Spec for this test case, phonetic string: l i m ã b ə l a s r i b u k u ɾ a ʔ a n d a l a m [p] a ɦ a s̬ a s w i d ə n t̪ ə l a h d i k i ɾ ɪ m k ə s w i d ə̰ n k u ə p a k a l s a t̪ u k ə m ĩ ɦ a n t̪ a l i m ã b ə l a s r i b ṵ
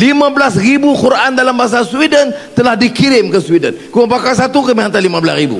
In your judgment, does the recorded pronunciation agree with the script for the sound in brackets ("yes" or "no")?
no